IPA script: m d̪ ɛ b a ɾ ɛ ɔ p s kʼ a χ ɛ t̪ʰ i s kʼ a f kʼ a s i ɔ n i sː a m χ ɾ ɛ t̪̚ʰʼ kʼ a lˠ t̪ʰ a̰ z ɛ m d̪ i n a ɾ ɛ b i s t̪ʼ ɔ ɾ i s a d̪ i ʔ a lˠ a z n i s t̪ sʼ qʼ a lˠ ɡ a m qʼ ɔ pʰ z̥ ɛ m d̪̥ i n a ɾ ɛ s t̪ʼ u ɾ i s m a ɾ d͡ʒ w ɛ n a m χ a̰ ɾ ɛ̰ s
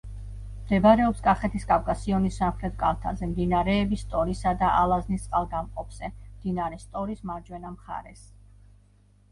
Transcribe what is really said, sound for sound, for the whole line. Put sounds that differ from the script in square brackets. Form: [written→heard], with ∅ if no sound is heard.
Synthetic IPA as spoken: m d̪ ɛ b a ɾ ɛ ɔ p s kʼ a χ ɛ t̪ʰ i s kʼ a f kʼ a s i ɔ n i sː a m χ ɾ ɛ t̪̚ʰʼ kʼ a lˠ t̪ʰ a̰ z ɛ m d̪ i n a ɾ [ɛ→ɛː] b i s t̪ʼ ɔ ɾ i s a d̪ [i→a] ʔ a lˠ a z n i s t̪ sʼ qʼ a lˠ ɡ a m qʼ ɔ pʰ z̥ ɛ m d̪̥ i n a ɾ ɛ s t̪ʼ [u→ɔ] ɾ i s m a ɾ d͡ʒ w ɛ n a m χ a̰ ɾ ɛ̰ s